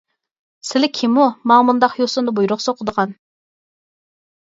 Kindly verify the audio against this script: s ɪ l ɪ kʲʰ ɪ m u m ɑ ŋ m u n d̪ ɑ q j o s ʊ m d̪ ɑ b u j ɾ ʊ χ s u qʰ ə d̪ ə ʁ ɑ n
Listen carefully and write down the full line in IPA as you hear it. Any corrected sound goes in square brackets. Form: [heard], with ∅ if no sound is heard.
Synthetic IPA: s ɪ l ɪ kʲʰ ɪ m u m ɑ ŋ m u n d̪ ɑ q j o s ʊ [n] d̪ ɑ b u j ɾ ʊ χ s [o] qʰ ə d̪ ə ʁ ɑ n